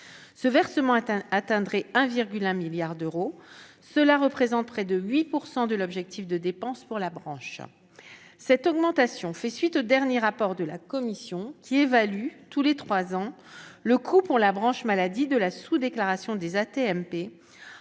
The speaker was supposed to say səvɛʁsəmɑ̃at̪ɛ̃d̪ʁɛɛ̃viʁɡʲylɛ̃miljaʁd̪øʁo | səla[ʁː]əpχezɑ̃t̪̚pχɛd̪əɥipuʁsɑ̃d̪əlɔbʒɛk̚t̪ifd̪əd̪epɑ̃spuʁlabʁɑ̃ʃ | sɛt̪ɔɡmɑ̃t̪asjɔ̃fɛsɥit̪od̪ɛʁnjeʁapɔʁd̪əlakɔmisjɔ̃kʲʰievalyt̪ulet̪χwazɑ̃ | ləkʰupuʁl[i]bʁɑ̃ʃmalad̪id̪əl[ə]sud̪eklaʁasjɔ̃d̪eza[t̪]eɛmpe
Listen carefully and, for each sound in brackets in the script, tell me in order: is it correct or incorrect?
incorrect: ʁ, incorrect: a, incorrect: a, correct

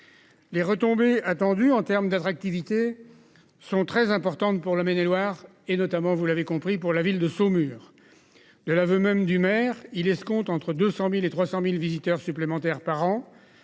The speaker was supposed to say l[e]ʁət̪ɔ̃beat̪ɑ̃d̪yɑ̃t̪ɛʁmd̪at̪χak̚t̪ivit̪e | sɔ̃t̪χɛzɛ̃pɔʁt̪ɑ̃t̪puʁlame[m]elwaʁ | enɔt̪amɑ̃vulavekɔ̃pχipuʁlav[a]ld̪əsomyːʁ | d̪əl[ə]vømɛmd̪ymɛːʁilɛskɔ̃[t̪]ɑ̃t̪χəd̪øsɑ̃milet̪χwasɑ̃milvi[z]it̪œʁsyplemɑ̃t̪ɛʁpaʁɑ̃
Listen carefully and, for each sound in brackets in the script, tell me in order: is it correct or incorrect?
correct, incorrect: n, incorrect: i, incorrect: a, correct, correct

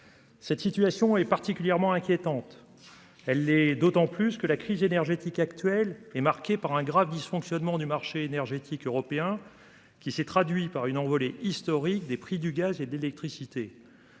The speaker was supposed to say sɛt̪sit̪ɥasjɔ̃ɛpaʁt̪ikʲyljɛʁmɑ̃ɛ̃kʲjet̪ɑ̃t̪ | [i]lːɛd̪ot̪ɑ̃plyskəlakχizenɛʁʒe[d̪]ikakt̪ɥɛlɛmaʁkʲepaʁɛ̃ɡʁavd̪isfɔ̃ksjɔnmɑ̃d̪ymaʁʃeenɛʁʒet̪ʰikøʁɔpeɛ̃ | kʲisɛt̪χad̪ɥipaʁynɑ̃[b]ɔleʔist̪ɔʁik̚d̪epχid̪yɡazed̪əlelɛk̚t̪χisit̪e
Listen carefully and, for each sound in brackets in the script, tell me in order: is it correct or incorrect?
incorrect: ɛ, incorrect: t̪, incorrect: v

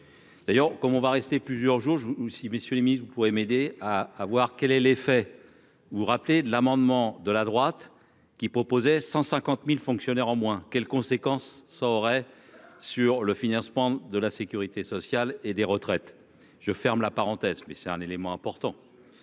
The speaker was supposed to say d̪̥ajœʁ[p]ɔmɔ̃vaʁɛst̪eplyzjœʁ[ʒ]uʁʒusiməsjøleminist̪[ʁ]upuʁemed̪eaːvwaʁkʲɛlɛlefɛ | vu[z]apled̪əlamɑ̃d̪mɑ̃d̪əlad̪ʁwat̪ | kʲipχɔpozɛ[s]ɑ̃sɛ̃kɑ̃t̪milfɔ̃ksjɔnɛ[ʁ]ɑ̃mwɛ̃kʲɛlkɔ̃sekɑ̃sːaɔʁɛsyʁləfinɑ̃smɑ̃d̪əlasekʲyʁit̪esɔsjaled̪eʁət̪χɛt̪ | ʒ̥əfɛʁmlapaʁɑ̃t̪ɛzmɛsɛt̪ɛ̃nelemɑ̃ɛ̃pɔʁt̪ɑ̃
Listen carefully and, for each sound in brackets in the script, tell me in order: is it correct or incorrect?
incorrect: k, correct, incorrect: v, incorrect: ʁ, correct, correct

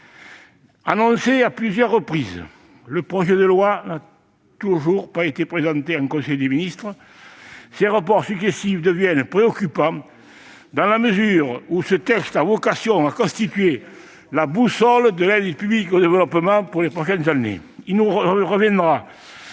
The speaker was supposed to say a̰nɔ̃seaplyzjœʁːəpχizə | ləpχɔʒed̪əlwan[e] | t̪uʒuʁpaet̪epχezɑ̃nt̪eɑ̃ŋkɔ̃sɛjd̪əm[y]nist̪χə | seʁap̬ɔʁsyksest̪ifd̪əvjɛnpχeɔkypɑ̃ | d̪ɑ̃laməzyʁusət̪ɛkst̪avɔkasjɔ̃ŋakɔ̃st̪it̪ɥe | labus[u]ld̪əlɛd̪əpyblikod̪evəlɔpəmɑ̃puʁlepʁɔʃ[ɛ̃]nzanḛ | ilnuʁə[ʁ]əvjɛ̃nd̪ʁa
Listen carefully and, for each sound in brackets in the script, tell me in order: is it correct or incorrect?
incorrect: a, incorrect: i, incorrect: ɔ, incorrect: ɛ, correct

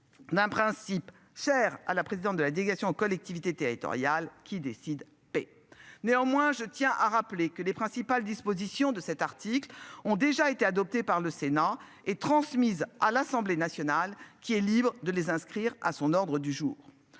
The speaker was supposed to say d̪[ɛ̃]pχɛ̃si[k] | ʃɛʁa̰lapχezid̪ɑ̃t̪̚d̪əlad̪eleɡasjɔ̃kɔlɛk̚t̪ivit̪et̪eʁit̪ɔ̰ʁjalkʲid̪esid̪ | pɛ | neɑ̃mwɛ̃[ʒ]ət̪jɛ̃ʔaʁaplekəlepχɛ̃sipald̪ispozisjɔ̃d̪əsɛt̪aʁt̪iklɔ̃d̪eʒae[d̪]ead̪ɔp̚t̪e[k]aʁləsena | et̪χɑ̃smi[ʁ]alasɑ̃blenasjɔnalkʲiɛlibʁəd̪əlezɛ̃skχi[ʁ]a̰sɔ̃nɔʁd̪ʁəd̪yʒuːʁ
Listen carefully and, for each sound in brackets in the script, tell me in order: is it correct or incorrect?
correct, incorrect: p, correct, incorrect: t̪, incorrect: p, incorrect: z, correct

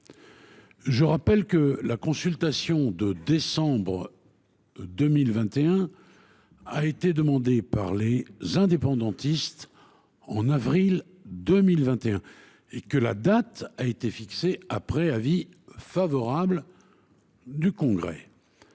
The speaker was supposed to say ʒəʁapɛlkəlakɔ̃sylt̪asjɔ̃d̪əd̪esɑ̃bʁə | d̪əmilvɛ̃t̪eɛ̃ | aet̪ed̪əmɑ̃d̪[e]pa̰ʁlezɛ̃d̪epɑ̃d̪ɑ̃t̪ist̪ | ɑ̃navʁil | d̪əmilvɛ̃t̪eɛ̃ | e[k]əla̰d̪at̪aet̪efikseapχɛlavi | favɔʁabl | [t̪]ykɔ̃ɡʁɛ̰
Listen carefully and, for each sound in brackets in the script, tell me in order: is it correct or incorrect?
correct, correct, incorrect: d̪

